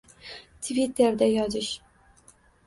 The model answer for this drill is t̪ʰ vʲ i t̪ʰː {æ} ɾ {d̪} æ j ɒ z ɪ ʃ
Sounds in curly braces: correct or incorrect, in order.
incorrect, correct

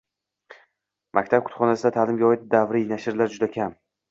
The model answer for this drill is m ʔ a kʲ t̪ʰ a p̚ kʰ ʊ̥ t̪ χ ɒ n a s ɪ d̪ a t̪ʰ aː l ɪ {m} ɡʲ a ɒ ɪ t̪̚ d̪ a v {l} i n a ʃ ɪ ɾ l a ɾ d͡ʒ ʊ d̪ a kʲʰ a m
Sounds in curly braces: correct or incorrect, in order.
correct, incorrect

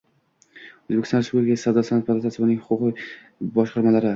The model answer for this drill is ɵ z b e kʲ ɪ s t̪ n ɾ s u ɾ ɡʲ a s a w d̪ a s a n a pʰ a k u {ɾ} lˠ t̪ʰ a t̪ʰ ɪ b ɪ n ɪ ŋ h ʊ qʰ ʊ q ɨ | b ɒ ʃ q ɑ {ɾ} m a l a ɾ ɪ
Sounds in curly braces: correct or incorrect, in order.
incorrect, correct

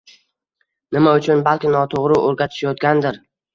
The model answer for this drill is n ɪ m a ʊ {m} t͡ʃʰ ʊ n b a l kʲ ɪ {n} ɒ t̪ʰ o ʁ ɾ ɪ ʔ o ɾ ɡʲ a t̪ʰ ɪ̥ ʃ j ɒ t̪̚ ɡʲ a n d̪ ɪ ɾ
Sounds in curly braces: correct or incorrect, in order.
incorrect, correct

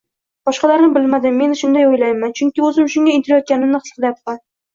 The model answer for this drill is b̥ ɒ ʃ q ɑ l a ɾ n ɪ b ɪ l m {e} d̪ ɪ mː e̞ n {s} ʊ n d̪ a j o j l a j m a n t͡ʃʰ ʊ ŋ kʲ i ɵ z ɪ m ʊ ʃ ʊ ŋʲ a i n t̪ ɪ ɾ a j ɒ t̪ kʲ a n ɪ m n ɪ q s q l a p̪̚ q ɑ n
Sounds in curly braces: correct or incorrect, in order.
incorrect, incorrect

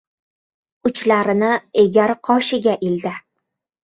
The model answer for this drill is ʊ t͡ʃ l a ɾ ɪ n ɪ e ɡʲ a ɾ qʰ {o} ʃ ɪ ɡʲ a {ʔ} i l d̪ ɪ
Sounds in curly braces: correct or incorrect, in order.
incorrect, correct

